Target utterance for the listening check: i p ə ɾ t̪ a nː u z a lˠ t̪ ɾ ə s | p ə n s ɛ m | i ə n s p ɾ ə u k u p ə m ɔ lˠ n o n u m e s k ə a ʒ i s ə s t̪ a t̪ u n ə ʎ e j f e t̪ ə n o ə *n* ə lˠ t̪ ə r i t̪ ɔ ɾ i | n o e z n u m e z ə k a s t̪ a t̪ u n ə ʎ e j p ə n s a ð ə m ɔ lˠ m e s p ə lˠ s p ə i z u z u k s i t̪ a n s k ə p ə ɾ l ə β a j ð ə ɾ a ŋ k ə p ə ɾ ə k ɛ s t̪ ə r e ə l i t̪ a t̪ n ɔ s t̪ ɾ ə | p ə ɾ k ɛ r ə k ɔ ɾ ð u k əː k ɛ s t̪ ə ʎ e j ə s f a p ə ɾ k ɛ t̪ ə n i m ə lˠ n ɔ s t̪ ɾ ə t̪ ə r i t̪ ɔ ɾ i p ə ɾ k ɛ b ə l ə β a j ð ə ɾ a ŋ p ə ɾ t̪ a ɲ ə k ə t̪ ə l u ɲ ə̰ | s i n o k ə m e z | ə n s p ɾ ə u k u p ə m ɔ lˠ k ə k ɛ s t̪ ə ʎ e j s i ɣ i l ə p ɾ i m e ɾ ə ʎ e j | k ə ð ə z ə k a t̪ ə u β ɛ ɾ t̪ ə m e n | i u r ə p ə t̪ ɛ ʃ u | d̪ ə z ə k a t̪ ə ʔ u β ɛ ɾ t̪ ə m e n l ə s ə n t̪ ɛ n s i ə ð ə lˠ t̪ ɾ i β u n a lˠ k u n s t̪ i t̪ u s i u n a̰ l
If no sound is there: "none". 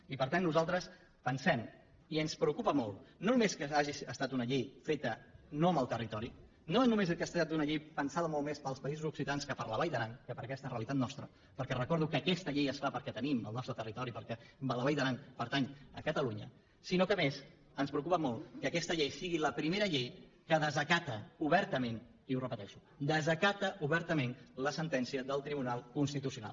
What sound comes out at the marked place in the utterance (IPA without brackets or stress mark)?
m